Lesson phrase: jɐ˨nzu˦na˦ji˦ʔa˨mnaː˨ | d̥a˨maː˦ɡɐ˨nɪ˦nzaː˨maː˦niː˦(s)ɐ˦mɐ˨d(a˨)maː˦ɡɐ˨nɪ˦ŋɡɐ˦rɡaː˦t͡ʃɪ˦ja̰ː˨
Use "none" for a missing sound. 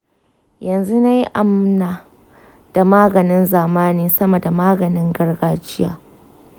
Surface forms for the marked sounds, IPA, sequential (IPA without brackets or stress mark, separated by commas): s, a˨